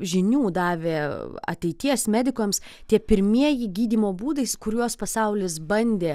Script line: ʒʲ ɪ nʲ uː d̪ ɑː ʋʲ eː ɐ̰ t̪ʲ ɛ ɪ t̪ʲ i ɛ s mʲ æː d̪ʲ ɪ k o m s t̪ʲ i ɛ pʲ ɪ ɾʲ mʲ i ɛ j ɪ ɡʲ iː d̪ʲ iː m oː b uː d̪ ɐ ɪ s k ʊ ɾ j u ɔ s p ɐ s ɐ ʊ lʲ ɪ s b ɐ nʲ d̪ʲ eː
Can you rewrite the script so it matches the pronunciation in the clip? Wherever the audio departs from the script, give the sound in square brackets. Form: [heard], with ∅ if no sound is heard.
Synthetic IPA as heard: ʒʲ ɪ nʲ uː d̪ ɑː ʋʲ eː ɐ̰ t̪ʲ ɛ ɪ t̪ʲ i ɛ s mʲ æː d̪ʲ ɪ k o m s t̪ʲ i ɛ pʲ ɪ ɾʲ mʲ i ɛ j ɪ ɡʲ iː d̪ʲ iː m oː b uː d̪ ɐ ɪ s k ʊ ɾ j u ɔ s p ɐ s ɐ ʊ lʲ ɪ s b ɐ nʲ d̪ʲ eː